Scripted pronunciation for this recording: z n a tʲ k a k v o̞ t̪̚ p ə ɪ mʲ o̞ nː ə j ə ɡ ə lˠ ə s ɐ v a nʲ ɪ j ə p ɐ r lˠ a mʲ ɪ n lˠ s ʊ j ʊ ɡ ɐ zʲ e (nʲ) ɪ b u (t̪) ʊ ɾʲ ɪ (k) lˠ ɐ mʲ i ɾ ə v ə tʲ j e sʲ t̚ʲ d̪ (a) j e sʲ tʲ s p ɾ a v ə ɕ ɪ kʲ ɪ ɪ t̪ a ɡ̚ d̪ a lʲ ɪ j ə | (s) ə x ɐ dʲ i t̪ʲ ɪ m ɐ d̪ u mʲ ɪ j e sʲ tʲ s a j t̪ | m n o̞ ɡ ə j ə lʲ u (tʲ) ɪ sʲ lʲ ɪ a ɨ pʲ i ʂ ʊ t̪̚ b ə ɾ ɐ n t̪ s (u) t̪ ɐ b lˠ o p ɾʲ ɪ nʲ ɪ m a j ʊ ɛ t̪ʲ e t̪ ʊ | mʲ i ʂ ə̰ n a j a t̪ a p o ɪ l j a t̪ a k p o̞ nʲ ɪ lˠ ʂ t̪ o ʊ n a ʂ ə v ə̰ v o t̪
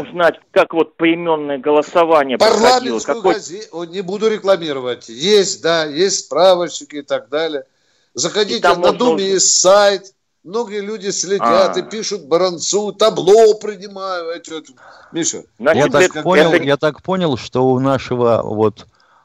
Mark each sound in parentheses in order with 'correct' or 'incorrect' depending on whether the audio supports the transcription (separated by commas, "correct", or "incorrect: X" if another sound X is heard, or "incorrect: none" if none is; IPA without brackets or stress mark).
correct, incorrect: d̪, correct, correct, incorrect: z, incorrect: dʲ, correct